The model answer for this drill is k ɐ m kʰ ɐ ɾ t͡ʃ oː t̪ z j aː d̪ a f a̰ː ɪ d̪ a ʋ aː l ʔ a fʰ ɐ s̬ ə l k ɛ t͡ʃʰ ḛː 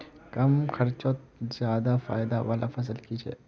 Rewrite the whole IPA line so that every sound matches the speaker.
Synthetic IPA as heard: k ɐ m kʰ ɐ ɾ t͡ʃ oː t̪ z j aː d̪ a f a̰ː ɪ d̪ a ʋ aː l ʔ a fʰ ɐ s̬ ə l k i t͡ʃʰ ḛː